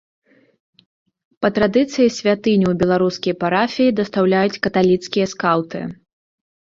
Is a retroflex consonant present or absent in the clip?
absent